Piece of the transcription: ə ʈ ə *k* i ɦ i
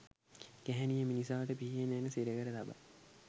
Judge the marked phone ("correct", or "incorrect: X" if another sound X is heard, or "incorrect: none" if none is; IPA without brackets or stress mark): incorrect: p